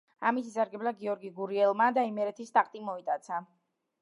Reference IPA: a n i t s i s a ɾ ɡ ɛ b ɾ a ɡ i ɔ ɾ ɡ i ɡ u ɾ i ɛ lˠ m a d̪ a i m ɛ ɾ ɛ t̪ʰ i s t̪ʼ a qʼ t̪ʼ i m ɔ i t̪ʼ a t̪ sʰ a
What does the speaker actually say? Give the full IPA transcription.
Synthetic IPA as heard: a m i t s i s a ɾ ɡ ɛ b l a ɡ i ɔ ɾ ɡ i ɡ u ɾ i ɛ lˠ m a d̪ a i m ɛ ɾ ɛ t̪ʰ i s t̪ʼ a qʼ t̪ʼ i m ɔ i t̪ʼ a t̪ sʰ a